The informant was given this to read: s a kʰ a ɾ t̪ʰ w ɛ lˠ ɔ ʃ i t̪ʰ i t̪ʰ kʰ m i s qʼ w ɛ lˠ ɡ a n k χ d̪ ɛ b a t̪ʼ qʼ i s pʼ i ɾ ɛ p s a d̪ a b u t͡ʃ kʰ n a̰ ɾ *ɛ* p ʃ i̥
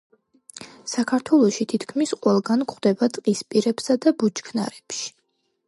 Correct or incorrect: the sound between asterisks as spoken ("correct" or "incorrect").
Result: correct